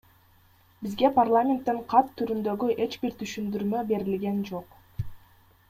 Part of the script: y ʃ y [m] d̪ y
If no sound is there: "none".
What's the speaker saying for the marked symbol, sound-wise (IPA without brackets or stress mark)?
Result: n